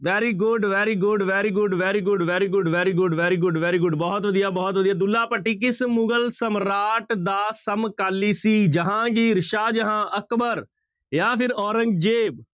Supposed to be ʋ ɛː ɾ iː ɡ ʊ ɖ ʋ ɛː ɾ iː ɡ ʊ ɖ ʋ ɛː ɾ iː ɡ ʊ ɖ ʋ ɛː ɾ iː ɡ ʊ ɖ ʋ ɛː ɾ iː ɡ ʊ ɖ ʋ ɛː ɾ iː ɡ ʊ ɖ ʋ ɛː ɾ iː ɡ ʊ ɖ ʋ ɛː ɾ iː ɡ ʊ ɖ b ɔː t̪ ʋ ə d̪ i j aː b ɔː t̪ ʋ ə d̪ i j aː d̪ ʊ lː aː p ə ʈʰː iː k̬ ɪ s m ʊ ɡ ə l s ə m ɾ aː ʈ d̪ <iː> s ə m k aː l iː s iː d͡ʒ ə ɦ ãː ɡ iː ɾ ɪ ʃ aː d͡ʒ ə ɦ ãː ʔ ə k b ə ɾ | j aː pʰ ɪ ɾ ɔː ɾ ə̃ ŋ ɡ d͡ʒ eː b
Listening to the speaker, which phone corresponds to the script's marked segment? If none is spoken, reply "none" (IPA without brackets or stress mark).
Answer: aː